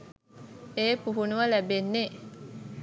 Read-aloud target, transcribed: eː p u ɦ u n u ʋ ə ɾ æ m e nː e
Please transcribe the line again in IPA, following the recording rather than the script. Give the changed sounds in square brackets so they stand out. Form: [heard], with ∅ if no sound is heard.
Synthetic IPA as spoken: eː p u ɦ u n u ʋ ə [l] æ [b] e nː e